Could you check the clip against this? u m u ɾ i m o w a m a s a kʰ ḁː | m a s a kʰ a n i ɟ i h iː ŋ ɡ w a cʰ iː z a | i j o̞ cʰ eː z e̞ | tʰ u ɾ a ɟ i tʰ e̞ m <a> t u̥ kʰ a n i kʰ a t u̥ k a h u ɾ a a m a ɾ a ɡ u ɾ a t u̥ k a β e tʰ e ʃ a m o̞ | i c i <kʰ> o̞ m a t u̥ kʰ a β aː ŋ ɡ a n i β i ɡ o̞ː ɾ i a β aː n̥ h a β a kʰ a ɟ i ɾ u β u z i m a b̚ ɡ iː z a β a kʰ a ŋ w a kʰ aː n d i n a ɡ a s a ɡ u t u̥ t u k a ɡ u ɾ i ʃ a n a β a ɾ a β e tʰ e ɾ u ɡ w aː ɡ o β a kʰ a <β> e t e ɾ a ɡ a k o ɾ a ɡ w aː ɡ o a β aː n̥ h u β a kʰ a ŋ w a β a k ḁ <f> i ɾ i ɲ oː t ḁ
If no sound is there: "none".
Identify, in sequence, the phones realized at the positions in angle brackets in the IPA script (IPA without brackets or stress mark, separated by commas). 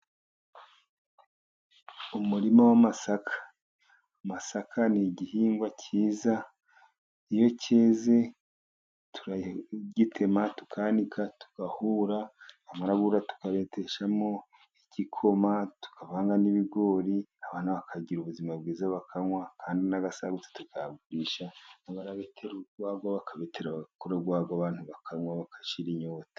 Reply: a, kʰ, β, ʃ